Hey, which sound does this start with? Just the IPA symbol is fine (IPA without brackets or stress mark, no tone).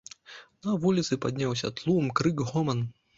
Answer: n